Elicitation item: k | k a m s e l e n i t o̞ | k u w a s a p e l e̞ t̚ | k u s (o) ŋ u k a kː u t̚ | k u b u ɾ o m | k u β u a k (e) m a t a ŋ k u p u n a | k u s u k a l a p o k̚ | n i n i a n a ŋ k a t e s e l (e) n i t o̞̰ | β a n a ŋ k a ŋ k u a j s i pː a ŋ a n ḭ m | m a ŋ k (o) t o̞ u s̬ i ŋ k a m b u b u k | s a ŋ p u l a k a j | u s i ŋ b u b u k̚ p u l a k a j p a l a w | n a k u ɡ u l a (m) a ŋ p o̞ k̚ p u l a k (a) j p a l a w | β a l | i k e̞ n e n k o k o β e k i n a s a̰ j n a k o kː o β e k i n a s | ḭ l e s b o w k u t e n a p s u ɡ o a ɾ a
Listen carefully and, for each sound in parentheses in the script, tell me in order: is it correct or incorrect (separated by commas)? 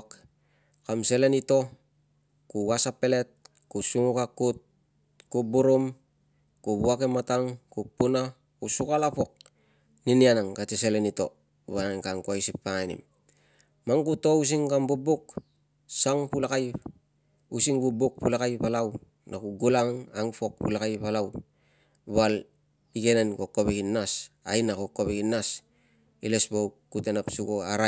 incorrect, correct, correct, incorrect, incorrect, correct